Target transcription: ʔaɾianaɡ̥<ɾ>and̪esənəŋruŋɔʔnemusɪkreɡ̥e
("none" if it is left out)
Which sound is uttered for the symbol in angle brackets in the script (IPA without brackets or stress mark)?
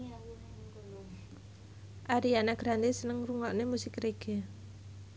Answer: ɾ